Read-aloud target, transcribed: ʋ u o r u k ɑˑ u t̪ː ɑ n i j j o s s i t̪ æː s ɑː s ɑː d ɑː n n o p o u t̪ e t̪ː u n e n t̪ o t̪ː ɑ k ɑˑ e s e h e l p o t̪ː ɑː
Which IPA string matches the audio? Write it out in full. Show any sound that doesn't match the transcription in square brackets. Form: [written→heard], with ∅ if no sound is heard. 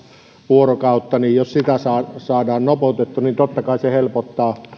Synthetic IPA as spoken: ʋ u o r [u→o] k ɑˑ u t̪ː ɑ n i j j o s s i t̪ [æː→æ] s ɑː s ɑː d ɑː n n o p o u t̪ e t̪ː u n [e→i] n t̪ o t̪ː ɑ k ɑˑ [e→i] s e h e l p o t̪ː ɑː